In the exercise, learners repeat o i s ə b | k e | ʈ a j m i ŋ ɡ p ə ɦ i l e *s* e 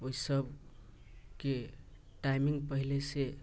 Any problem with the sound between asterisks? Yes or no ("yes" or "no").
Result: no